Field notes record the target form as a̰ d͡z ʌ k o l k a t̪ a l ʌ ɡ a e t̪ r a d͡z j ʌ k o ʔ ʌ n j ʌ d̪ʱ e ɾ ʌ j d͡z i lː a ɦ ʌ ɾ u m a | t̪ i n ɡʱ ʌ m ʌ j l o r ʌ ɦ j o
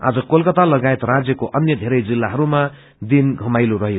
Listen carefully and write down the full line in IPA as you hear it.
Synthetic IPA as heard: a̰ d͡z ʌ k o l k ʌ t̪ a l ʌ ɡ a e t̪ r a d͡z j ʌ k o ʔ ʌ n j ʌ d̪ʱ e ɾ ʌ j d͡z i lː a ɦ ʌ ɾ u m a | d̪ i n ɡʱ ʌ m a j l o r ʌ ɦ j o